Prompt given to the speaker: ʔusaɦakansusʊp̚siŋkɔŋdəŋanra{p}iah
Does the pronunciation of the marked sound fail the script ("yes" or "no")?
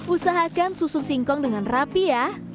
no